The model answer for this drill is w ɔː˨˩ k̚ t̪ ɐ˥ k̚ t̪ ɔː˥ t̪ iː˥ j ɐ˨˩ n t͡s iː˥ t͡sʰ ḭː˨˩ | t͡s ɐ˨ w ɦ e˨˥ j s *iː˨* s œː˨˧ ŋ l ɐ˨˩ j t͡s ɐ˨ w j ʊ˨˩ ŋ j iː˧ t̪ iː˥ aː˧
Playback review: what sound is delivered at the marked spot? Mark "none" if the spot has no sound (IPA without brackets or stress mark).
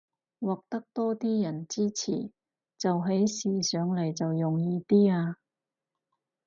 iː˨